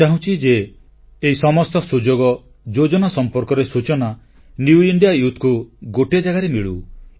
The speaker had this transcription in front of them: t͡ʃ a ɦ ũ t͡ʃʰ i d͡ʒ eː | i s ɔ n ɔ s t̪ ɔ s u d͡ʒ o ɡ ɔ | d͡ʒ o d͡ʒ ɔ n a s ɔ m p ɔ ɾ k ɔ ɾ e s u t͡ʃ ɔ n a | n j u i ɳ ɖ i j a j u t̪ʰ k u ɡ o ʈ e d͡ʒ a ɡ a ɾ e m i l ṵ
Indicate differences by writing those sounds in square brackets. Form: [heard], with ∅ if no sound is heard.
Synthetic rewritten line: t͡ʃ a ɦ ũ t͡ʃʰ i d͡ʒ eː | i s ɔ [m] ɔ s t̪ ɔ s u d͡ʒ o ɡ ɔ | d͡ʒ o d͡ʒ ɔ n a s ɔ m p ɔ ɾ k ɔ ɾ e s u t͡ʃ ɔ n a | n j u i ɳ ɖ i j a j u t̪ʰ k u ɡ o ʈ e d͡ʒ a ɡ a ɾ e m i [ɭ] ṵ